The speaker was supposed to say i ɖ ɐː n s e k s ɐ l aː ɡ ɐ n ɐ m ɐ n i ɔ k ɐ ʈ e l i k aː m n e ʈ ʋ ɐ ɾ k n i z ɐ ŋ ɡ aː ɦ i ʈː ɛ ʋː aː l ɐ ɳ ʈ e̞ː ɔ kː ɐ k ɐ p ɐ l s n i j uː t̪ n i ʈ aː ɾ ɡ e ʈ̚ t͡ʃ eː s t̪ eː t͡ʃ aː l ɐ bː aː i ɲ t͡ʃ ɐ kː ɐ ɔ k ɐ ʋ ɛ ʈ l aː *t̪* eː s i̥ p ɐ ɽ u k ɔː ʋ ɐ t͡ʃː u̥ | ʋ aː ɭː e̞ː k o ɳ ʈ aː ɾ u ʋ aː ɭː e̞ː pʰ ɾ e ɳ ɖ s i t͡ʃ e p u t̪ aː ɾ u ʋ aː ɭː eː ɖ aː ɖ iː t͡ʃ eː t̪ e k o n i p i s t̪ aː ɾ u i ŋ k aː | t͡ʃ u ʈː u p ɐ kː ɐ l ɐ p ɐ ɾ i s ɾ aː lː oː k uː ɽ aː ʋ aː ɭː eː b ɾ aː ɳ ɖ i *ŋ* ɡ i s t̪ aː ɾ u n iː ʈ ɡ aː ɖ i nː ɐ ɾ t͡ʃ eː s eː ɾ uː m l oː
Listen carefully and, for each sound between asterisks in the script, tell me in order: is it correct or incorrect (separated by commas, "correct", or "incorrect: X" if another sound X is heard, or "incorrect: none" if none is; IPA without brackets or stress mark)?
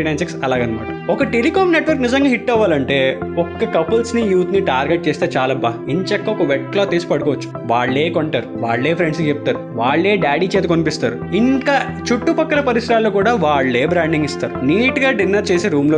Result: correct, correct